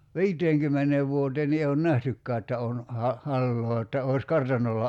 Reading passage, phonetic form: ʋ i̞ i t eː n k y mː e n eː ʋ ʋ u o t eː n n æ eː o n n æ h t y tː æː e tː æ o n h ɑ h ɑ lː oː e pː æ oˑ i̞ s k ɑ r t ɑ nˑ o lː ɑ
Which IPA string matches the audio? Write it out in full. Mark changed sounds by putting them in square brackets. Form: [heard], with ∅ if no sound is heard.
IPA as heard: ʋ i̞ i t eː [ŋ] k y mː e n eː ʋ ʋ u o t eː n n [i] eː o n n æ h t y [kː] æː e tː æ o n h ɑ h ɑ lː oː e [tː] æ oˑ i̞ s k ɑ r t ɑ nˑ o lː ɑ